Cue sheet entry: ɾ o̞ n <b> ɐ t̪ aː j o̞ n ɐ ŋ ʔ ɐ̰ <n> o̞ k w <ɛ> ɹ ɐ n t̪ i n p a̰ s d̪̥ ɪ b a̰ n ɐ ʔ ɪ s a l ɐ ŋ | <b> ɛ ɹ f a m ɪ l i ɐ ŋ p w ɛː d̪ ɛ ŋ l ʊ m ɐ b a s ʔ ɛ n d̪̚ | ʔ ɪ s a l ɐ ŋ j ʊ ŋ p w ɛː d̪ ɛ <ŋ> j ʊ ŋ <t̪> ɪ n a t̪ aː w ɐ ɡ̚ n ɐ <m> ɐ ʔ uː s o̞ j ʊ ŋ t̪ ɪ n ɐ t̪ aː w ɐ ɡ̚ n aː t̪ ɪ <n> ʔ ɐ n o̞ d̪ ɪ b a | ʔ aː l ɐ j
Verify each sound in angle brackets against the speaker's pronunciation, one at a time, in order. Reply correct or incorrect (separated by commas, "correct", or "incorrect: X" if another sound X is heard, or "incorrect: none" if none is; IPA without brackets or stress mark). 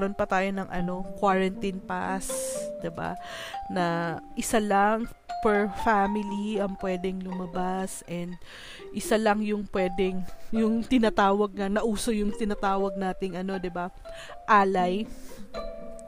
incorrect: p, correct, incorrect: a, incorrect: p, correct, correct, incorrect: n, incorrect: ŋ